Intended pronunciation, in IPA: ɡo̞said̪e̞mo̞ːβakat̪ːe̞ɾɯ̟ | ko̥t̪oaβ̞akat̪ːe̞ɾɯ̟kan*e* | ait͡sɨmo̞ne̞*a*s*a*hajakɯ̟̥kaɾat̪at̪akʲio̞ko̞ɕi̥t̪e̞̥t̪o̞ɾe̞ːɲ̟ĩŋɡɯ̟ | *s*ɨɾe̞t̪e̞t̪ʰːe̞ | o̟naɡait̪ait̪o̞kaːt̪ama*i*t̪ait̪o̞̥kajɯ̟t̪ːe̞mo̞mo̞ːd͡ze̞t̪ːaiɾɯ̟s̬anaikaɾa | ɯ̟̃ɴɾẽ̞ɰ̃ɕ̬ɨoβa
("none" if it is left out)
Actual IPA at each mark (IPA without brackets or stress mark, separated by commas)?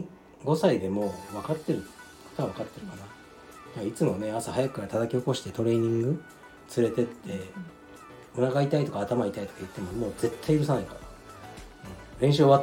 a, a, a, t͡s, i